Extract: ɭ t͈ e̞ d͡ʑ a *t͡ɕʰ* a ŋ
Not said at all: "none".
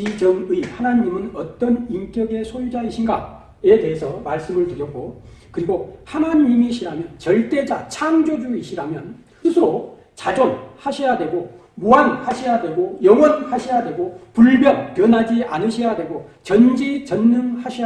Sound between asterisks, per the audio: t͡ɕʰ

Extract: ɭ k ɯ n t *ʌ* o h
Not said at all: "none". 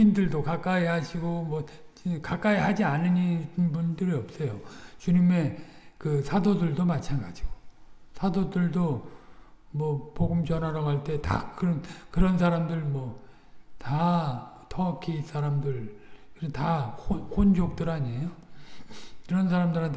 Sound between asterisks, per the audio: a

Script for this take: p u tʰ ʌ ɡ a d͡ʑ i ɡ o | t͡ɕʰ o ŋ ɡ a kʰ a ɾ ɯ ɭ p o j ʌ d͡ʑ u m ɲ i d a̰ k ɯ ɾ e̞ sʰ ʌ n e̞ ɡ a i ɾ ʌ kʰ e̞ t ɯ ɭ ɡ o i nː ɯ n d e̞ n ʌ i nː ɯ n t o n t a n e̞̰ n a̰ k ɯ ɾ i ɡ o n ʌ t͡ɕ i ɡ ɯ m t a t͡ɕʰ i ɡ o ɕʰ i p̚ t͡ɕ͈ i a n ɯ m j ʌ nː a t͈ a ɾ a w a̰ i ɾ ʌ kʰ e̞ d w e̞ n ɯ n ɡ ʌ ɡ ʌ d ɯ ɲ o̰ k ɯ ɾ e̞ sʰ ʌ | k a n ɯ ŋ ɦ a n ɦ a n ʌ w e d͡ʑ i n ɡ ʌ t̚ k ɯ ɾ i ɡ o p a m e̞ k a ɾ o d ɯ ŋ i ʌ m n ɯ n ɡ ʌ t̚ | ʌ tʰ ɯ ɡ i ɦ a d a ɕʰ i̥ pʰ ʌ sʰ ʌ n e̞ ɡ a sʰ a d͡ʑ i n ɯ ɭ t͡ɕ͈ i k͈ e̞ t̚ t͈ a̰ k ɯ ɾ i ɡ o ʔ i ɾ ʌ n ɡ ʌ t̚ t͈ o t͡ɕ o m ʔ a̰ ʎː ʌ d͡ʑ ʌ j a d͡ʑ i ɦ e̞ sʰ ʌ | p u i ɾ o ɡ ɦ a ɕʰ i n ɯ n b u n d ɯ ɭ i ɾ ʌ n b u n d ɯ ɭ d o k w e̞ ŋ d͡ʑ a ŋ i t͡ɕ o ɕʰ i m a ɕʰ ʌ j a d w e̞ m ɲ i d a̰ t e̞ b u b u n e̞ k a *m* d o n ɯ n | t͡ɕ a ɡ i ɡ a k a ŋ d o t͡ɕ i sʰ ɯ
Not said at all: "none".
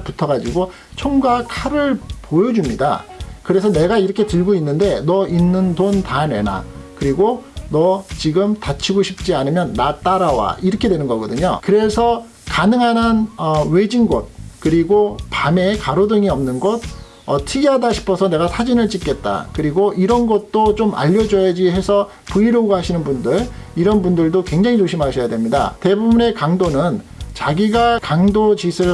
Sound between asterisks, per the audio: ŋ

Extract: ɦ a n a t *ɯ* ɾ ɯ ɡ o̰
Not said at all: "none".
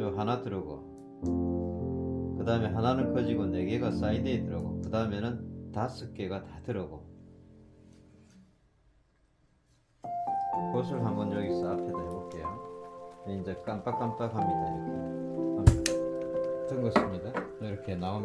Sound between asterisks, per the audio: ɯ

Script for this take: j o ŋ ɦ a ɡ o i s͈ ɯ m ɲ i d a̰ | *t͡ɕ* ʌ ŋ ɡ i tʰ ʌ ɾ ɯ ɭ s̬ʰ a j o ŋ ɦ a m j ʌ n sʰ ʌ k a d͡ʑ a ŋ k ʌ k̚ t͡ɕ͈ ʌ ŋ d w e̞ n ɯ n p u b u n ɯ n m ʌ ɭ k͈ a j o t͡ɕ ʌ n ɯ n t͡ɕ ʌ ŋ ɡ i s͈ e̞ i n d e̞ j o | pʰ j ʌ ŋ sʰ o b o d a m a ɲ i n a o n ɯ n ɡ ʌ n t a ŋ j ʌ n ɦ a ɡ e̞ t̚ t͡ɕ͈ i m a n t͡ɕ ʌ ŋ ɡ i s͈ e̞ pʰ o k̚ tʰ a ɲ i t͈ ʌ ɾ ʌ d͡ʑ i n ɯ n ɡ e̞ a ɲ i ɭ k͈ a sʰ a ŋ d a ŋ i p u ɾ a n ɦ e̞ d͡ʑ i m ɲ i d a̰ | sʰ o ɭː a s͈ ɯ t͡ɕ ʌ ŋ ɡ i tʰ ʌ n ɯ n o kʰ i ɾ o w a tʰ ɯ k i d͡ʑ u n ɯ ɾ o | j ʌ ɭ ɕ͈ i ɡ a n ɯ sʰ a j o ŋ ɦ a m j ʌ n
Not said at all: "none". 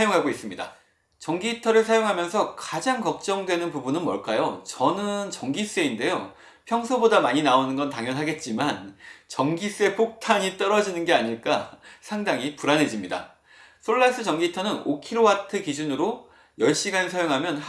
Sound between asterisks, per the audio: t͡ɕ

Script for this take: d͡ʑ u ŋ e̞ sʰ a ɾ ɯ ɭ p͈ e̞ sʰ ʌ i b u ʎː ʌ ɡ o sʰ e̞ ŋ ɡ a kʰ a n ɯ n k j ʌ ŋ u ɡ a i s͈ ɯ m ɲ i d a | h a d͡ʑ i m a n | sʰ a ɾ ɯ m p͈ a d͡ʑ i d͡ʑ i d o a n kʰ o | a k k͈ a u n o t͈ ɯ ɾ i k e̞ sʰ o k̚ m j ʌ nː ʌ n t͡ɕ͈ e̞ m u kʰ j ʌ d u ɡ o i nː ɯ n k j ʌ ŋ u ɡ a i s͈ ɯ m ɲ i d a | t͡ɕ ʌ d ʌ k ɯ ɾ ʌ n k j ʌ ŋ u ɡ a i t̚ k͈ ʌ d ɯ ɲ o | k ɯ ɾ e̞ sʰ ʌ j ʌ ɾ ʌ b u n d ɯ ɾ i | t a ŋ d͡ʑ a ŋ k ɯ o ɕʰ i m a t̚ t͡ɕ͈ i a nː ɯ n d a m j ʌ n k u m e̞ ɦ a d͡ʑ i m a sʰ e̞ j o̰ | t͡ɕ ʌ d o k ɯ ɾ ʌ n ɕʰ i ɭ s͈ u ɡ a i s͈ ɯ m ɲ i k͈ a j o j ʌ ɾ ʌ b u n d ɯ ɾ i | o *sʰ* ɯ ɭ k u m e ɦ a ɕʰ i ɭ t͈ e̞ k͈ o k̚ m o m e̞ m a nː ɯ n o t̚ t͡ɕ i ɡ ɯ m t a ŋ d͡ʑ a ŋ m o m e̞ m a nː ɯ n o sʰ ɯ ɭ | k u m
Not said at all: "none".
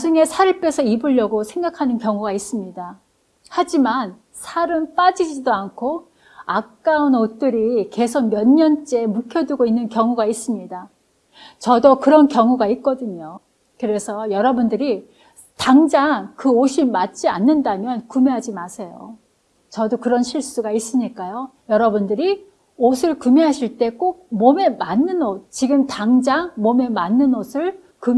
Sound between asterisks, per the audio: sʰ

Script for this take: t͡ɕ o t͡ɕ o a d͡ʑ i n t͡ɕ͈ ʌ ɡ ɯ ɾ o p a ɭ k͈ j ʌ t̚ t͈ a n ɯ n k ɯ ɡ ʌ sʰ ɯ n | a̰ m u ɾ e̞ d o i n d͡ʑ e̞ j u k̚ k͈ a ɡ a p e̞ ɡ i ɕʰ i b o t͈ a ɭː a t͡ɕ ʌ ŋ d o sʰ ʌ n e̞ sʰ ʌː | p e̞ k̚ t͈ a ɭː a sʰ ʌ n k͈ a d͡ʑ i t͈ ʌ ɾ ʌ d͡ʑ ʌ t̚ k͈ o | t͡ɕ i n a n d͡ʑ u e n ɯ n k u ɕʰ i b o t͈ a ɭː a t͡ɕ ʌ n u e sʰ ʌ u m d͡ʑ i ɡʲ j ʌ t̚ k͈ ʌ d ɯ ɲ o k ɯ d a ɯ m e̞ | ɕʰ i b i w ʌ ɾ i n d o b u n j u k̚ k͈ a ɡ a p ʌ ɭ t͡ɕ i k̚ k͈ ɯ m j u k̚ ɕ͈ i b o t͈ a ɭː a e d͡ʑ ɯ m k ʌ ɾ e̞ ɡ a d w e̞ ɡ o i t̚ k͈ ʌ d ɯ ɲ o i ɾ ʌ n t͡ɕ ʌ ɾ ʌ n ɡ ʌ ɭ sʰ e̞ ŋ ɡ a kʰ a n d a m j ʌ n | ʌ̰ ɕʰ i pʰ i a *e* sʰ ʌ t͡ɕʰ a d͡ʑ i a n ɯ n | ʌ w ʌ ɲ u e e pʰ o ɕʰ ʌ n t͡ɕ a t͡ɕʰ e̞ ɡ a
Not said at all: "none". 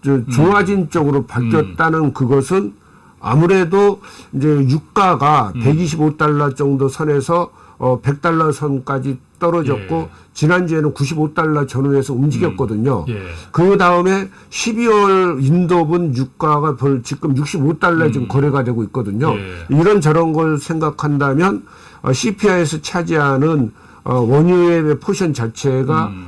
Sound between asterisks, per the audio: e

